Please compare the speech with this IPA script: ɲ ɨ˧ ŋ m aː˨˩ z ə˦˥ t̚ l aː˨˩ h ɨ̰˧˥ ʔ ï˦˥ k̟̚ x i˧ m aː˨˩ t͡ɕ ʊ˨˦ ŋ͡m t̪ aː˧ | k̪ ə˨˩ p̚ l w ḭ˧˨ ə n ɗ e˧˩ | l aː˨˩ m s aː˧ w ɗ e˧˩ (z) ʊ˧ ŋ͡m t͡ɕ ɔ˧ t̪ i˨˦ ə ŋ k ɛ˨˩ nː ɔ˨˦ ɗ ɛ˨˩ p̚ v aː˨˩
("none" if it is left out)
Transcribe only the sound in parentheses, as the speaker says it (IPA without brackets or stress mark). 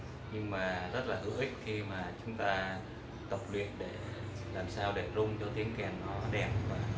z